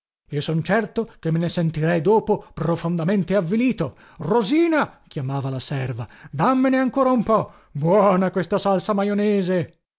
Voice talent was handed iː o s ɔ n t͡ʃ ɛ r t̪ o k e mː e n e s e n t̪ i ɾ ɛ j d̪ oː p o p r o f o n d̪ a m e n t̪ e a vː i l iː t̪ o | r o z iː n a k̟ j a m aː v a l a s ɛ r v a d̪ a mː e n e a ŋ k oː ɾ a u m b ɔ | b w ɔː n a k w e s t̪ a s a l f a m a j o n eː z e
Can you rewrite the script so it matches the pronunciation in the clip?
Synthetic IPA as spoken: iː o s ɔ n t͡ʃ ɛ r t̪ o k e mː e n e s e n t̪ i ɾ ɛ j d̪ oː p o p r o f o n d̪ a m e n t̪ e a vː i l iː t̪ o | r o z iː n a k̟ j a m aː v a l a s ɛ r v a d̪ a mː e n e a ŋ k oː ɾ a u m p ɔ | b w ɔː n a k w e s t̪ a s a l s a m a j o n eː z e